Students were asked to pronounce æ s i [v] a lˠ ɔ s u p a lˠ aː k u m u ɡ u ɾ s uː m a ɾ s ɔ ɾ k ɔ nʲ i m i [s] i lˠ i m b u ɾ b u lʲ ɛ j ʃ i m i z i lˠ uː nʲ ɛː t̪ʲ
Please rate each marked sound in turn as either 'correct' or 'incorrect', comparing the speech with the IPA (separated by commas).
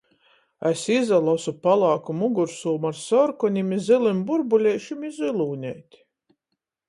incorrect, incorrect